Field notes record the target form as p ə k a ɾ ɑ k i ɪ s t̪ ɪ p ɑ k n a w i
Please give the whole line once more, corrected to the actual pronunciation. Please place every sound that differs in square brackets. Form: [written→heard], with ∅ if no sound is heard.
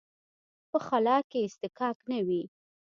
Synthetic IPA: p ə [k→x] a [ɾ→l] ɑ k [i→e] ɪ s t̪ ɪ [p→k] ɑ k n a w i